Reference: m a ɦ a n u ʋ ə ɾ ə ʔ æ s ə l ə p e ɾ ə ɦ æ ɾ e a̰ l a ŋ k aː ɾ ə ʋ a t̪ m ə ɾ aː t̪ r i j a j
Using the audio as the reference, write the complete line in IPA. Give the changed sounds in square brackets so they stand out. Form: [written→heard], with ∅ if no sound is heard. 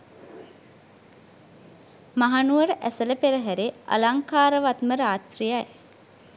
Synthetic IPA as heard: m a ɦ a n u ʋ ə ɾ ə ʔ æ s ə l ə p e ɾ ə ɦ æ ɾ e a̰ l a ŋ k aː ɾ ə ʋ a t̪ m ə ɾ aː t̪ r i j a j